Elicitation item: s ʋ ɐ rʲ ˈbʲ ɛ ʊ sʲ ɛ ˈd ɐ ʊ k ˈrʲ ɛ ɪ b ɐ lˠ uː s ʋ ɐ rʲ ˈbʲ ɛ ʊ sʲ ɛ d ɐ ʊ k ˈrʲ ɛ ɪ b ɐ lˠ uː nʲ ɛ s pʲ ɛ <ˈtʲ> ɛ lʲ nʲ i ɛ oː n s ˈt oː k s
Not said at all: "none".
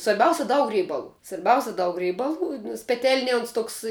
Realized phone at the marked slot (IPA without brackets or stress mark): tʲ